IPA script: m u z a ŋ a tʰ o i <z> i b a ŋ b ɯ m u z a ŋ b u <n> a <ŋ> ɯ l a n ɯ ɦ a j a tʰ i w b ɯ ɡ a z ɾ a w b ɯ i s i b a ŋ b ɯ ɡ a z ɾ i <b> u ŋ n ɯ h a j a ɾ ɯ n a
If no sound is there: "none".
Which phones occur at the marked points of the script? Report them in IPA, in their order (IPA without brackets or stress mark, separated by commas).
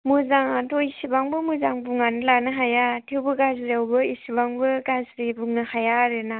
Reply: s, ŋ, n, b